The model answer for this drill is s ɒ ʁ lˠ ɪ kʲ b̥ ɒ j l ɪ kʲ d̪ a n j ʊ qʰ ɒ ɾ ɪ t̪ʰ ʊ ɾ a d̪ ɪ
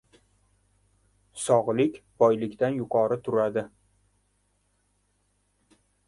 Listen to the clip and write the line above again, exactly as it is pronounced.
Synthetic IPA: s ɒ ʁ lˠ ɪ kʲ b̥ ɒ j l ɪ kʲ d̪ a n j ʊ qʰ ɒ ɾ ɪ t̪ʰ ʊ ɾ a d̪ ɪ